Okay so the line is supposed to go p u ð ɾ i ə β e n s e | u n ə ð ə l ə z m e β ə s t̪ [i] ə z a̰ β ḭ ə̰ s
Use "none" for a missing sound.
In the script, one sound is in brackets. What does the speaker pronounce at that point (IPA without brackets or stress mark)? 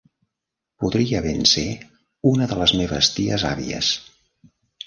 i